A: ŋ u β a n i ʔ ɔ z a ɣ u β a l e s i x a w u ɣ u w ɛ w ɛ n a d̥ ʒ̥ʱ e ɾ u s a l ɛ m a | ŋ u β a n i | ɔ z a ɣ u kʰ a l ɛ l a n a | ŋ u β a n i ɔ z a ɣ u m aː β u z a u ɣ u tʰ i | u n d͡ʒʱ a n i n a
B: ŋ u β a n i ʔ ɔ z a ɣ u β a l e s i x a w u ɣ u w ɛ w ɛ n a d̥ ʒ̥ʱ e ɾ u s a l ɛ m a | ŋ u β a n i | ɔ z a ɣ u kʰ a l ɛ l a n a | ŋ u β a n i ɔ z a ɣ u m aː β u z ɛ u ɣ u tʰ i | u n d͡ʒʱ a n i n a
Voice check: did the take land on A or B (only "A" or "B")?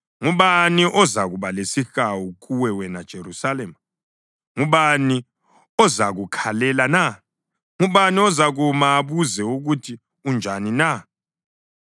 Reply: B